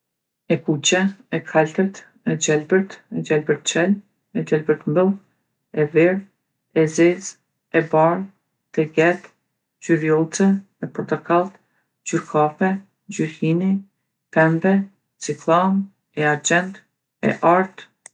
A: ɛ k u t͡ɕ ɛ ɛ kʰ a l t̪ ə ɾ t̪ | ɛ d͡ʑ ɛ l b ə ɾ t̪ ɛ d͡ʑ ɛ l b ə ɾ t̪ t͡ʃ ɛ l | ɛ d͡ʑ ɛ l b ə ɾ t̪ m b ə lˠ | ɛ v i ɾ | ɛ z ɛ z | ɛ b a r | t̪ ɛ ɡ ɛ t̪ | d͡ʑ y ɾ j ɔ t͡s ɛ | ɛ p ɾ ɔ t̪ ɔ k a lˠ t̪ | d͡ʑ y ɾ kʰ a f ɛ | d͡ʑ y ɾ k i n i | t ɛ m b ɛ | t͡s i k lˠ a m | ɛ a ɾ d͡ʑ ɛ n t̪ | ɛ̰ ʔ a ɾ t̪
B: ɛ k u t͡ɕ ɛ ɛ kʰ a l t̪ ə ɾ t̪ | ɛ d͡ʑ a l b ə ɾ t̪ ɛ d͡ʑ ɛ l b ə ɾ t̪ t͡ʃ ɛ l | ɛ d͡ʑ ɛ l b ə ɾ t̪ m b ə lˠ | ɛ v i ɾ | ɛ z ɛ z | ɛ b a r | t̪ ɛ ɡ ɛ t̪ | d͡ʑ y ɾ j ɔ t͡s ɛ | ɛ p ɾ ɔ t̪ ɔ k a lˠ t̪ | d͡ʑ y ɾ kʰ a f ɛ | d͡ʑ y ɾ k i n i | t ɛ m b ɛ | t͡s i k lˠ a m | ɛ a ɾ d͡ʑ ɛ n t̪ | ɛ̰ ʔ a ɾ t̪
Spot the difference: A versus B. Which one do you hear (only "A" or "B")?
A